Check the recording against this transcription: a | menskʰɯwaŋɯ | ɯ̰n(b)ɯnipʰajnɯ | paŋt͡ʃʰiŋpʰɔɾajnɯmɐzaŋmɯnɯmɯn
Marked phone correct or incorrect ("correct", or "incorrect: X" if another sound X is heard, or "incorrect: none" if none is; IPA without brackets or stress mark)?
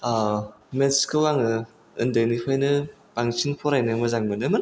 incorrect: d